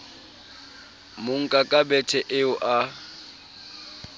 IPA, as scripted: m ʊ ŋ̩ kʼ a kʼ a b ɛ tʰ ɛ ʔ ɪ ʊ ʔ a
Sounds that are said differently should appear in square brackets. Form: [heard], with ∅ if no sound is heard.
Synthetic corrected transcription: m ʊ ŋ̩ kʼ a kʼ a b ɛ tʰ ɛ ʔ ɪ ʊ ʔ a